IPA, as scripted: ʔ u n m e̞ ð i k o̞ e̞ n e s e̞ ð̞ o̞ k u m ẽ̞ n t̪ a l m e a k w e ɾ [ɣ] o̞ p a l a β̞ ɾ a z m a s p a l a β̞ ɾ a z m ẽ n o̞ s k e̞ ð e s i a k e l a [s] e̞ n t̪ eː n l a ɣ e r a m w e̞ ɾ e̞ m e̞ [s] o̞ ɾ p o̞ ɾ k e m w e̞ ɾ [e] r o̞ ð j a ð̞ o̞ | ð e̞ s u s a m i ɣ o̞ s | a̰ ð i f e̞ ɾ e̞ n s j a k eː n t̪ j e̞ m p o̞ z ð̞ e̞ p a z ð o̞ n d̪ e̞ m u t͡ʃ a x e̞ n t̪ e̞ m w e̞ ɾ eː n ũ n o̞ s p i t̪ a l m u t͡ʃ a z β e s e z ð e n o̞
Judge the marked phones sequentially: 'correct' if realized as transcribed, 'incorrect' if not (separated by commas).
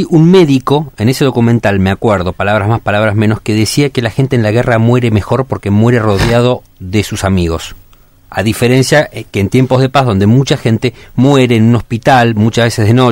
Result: incorrect, incorrect, incorrect, correct